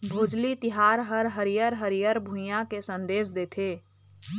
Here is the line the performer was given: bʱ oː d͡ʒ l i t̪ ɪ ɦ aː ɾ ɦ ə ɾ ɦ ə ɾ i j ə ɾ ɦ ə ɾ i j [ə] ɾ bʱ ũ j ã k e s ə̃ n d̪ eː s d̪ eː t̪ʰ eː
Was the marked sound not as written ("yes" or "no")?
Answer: no